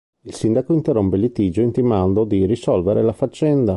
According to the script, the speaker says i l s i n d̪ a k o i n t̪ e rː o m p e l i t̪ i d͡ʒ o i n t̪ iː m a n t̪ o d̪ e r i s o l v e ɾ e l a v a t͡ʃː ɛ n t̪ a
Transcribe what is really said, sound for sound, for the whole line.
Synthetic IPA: i l s i n d̪ a k o i n t̪ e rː o m p e l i t̪ i d͡ʒ o i n t̪ i m a n d̪ o d̪ i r i s ɔ l v e ɾ e l a f a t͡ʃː ɛ n d̪ a